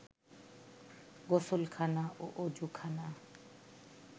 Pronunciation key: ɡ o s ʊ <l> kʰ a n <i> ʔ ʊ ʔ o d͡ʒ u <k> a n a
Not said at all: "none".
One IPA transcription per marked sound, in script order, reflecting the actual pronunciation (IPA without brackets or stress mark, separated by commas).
l, a, kʰ